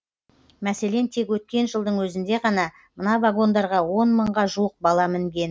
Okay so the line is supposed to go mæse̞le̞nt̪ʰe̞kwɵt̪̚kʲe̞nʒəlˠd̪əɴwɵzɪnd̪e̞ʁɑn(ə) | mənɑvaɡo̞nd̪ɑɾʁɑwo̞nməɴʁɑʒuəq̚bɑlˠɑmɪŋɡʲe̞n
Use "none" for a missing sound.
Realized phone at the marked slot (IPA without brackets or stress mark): ɑ